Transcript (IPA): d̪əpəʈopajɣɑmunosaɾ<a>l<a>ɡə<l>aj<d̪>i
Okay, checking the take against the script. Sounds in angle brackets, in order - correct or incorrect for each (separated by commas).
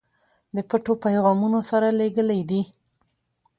correct, incorrect, correct, correct